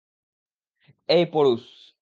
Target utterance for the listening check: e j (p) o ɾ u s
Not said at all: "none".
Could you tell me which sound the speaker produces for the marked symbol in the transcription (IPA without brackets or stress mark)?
p